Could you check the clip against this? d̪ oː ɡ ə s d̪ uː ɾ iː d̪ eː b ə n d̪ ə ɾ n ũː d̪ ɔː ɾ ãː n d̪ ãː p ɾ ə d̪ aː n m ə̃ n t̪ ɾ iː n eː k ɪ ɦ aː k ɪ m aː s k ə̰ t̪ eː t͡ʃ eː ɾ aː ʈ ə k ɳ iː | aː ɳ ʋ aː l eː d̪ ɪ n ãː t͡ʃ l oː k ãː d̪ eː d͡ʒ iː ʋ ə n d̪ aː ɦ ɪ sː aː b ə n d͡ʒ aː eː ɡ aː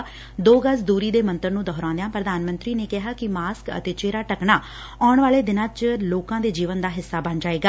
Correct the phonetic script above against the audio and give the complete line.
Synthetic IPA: d̪ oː ɡ ə s d̪ uː ɾ iː d̪ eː m ə n t̪ ə ɾ n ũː d̪ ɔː ɾ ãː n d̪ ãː p ɾ ə d̪ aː n m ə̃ n t̪ ɾ iː n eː k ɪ ɦ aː k ɪ m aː s k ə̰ t̪ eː t͡ʃ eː ɾ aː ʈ ə k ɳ aː | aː ɳ ʋ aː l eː d̪ ɪ n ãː t͡ʃ l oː k ãː d̪ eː d͡ʒ iː ʋ ə n d̪ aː ɦ ɪ sː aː b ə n d͡ʒ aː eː ɡ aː